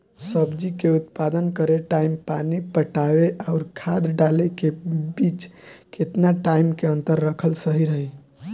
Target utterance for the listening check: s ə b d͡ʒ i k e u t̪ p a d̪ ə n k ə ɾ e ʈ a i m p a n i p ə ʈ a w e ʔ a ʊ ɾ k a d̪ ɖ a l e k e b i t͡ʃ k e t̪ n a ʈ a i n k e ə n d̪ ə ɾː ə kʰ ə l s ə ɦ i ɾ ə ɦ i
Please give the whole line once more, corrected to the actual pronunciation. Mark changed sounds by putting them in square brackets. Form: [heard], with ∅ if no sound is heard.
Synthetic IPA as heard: s ə b d͡ʒ i k e u t̪ p a d̪ ə n k ə ɾ e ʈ a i m p a n i p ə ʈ a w e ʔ a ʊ ɾ [kʰ] a d̪ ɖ a l e k e b i t͡ʃ k e t̪ n a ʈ a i [m] k e ə n [t̪] ə ɾː ə kʰ ə l s ə ɦ i ɾ ə ɦ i